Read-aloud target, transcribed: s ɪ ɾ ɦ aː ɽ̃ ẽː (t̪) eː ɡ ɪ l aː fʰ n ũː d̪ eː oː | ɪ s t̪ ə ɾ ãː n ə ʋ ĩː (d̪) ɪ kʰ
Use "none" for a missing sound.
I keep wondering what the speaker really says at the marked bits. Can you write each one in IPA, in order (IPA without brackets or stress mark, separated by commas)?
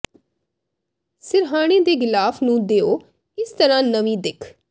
d̪, d̪